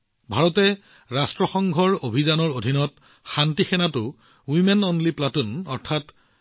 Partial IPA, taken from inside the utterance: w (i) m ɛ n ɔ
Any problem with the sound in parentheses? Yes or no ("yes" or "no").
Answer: no